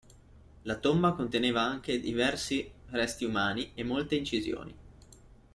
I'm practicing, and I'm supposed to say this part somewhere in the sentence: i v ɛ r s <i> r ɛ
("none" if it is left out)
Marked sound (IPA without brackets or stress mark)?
i